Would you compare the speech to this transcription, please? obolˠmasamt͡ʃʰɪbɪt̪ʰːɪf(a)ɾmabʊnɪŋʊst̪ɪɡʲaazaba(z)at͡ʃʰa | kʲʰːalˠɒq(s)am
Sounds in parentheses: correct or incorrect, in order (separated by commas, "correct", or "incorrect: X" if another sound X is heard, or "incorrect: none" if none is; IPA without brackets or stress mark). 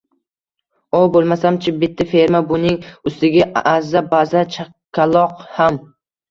incorrect: e, correct, incorrect: h